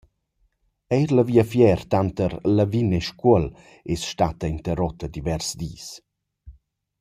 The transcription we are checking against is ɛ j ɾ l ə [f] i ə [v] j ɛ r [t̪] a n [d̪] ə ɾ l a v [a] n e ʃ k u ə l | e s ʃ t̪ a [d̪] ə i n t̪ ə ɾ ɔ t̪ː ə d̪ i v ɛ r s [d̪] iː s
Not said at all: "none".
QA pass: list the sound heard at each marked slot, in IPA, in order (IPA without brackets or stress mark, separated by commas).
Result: v, f, t̪, t̪, i, t̪, d̪